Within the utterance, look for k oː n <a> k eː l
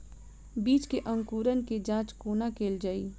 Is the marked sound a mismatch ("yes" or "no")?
no